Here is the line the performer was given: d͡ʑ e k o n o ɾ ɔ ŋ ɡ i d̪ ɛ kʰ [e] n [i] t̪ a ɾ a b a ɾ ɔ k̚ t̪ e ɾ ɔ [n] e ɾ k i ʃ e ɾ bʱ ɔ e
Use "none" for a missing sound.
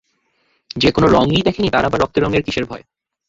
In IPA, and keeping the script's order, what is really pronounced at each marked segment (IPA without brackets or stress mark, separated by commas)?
e, i, ŋ